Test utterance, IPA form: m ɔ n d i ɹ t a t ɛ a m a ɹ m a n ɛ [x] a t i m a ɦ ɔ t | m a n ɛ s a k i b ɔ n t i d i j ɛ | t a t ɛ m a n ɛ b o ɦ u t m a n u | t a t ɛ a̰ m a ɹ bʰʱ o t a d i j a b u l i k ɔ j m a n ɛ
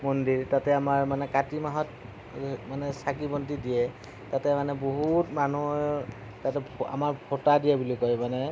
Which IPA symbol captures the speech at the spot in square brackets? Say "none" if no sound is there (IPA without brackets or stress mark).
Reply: k